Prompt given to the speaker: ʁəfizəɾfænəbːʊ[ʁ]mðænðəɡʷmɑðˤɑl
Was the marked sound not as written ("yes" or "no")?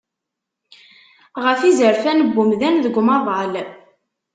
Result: yes